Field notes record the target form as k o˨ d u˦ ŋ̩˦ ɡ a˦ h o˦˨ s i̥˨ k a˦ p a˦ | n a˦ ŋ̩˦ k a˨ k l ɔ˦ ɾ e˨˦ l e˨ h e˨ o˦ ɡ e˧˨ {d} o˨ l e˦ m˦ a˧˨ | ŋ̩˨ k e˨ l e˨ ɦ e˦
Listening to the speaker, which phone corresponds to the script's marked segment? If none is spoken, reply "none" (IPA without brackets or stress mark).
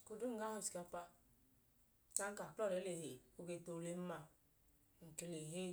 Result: t